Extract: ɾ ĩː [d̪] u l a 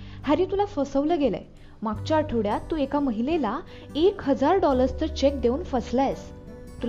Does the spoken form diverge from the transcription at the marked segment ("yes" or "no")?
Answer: yes